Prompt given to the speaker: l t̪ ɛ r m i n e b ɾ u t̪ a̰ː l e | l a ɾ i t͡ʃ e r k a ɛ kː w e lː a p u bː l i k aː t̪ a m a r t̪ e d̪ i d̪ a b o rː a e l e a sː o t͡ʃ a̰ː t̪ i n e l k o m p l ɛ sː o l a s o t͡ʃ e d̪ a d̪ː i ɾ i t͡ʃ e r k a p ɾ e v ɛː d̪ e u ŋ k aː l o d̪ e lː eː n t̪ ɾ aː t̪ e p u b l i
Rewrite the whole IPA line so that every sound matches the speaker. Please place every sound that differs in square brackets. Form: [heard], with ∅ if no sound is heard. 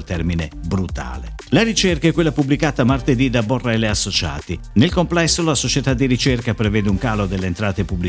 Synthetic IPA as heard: l t̪ ɛ r m i n e b ɾ u t̪ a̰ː l e | l a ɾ i t͡ʃ e r k a ɛ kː w e lː a p u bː l i k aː t̪ a m a r t̪ e d̪ i d̪ a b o rː a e l e a sː o t͡ʃ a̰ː t̪ i n e l k o m p l ɛ sː o l a s o t͡ʃ e [t̪] a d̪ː i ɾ i t͡ʃ e r k a p ɾ e v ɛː d̪ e u ŋ k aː l o d̪ e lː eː n t̪ ɾ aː t̪ e p u b l i